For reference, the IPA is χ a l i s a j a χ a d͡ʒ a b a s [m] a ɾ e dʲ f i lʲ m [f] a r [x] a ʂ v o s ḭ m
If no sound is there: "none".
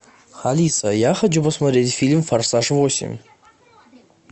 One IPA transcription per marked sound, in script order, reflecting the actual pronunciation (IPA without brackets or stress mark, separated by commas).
m, f, s